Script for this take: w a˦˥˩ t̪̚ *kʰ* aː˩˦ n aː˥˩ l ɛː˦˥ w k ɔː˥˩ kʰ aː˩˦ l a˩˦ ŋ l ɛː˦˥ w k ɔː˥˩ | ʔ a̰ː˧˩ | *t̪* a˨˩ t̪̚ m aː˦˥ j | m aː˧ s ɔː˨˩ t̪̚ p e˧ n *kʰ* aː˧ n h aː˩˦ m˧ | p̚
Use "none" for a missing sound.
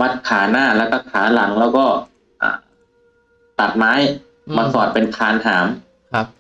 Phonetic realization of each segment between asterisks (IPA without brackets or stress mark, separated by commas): kʰ, t̪, kʰ